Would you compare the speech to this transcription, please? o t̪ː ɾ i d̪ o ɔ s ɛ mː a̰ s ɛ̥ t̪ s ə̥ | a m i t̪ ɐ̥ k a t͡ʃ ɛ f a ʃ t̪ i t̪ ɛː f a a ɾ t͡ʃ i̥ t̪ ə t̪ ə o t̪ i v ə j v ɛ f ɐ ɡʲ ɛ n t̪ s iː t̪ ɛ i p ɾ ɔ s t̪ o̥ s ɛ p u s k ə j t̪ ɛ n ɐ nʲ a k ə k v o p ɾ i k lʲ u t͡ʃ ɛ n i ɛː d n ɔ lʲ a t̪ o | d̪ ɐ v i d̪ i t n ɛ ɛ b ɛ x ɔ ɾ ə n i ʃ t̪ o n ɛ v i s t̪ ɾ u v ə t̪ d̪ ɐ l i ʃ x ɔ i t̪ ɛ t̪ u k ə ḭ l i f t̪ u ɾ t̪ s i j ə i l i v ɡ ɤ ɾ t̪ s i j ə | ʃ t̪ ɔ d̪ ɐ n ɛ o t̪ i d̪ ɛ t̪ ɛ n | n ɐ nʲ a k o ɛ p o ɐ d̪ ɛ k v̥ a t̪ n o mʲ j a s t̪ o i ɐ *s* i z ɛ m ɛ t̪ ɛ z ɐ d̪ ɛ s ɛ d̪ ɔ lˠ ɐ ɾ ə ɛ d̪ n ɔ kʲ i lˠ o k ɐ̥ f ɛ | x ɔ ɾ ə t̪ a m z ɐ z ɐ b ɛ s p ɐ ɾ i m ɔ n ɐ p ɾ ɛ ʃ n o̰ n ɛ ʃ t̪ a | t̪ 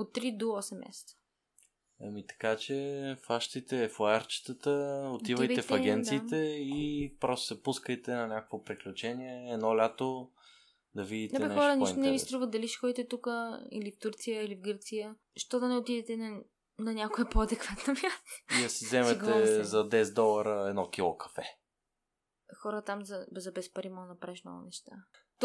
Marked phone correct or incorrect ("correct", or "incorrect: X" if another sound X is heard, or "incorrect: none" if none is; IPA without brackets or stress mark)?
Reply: correct